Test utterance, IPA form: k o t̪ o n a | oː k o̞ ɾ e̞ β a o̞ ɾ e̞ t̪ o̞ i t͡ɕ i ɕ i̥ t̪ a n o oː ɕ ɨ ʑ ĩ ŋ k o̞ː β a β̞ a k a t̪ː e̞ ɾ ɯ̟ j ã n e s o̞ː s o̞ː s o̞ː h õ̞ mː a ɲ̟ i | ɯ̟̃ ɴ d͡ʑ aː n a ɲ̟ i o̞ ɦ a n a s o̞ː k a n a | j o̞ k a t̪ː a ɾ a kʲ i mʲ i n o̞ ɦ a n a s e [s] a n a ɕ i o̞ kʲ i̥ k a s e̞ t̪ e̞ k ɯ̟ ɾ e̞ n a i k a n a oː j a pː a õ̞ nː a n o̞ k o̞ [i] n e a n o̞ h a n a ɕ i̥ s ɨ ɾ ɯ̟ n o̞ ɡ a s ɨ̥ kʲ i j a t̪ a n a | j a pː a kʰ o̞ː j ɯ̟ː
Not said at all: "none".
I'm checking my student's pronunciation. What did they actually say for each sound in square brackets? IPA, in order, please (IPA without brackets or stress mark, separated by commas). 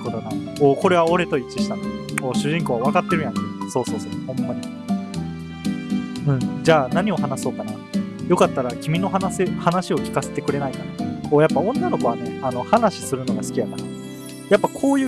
h, a